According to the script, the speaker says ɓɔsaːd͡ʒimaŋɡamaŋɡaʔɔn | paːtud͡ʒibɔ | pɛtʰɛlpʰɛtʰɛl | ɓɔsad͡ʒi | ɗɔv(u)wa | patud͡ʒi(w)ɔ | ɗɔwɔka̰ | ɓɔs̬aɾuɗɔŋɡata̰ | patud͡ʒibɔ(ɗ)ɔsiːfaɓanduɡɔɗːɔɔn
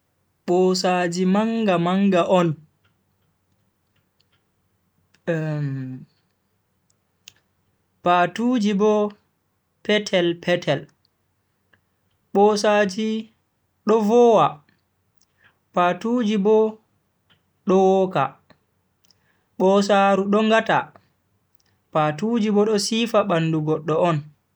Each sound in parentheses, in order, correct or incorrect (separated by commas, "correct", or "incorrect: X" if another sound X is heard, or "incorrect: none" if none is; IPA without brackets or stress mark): incorrect: ɔ, incorrect: b, correct